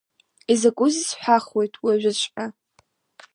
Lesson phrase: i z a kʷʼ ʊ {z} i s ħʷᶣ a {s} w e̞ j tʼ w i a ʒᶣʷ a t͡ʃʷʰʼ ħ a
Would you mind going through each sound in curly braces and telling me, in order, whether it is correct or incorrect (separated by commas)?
correct, incorrect